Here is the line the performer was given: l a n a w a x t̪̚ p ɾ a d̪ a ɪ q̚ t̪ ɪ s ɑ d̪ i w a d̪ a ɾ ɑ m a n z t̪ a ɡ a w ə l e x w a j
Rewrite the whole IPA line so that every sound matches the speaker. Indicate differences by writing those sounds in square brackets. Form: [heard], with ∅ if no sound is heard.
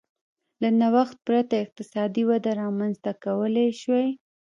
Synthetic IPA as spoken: l a n a w a x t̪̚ p ɾ a [t̪] a ɪ q̚ t̪ ɪ s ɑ d̪ i w a d̪ a ɾ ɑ m a n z t̪ a [k] a w ə l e [ʃ] w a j